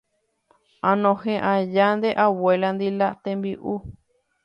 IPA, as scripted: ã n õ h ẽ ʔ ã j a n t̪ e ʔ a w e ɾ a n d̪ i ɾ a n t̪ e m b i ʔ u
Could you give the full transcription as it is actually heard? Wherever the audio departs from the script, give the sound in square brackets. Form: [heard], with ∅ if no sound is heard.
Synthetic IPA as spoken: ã n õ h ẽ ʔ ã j a n [d̪] e ʔ a w e [l] a n d̪ i [l] a [∅] t̪ e m b i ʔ u